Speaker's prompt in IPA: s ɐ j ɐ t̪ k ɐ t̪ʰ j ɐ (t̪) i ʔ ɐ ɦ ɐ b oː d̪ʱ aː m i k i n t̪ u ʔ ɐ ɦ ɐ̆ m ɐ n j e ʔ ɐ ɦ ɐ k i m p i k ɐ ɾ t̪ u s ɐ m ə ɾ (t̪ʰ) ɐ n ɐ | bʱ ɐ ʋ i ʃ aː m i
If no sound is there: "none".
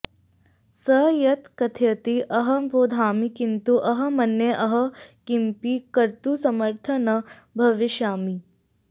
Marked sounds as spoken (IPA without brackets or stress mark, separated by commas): t̪, t̪ʰ